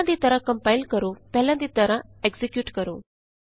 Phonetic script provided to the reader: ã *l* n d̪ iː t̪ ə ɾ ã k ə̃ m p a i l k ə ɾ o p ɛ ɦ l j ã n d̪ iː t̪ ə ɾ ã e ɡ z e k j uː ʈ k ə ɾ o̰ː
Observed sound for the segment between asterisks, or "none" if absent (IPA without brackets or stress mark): none